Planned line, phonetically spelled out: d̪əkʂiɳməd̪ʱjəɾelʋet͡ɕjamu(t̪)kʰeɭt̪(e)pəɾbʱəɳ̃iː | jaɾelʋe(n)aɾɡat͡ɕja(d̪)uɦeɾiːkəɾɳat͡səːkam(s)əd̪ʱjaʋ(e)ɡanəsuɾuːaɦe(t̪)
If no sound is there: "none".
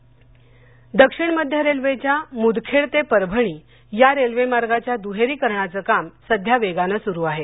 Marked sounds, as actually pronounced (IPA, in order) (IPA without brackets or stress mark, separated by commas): d̪, e, m, d̪, s, e, none